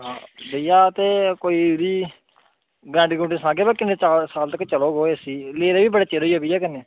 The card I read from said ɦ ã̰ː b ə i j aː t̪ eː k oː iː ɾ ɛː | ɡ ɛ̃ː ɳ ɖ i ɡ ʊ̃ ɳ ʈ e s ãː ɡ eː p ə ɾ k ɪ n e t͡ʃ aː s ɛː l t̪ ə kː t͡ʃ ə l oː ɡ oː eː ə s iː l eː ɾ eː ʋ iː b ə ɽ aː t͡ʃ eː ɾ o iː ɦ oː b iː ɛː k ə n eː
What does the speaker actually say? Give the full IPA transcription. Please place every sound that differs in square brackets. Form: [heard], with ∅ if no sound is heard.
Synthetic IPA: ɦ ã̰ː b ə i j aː t̪ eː k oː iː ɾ [iː] | ɡ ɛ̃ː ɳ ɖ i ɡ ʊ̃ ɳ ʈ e s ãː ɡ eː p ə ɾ k ɪ n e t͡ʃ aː s [aː] l t̪ ə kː t͡ʃ ə l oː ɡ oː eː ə s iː l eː ɾ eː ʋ iː b ə ɽ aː t͡ʃ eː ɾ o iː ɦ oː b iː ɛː k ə n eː